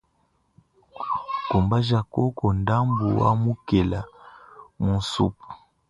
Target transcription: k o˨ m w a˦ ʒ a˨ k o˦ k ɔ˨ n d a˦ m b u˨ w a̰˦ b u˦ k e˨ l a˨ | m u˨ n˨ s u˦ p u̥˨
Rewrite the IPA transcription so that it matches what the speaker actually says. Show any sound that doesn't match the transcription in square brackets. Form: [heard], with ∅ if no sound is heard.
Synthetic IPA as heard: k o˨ m [b] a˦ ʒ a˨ k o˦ k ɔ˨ n d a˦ m b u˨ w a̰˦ [m] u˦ k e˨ l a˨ | m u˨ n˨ s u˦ p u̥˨